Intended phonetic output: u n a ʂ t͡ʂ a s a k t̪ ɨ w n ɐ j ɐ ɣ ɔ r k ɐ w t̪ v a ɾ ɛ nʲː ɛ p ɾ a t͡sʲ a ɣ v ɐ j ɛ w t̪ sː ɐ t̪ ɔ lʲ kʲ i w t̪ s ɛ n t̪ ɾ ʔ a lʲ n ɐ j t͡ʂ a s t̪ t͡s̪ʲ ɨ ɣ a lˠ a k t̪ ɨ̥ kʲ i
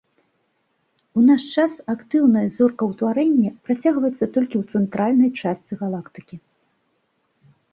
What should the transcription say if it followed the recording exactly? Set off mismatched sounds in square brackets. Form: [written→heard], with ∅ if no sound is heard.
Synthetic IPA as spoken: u n a ʂ t͡ʂ a s a k t̪ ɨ w n ɐ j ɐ [ɣ→z] ɔ r k ɐ w t̪ v a ɾ ɛ nʲː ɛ p ɾ a t͡sʲ a ɣ v ɐ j ɛ [w→∅] t̪ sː ɐ t̪ ɔ lʲ kʲ i w t̪ s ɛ n t̪ ɾ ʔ a lʲ n ɐ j t͡ʂ a s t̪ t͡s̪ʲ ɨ ɣ a lˠ a k t̪ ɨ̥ kʲ i